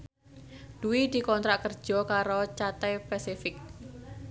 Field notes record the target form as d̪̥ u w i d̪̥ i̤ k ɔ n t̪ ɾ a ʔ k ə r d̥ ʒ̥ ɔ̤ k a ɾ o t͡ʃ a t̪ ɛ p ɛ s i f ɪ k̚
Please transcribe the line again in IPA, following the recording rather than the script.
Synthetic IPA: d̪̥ u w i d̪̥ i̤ k ɔ n t̪ ɾ a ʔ k ə r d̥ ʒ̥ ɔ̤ k a ɾ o t͡ʃ a t̪ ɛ p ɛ s i f ɪ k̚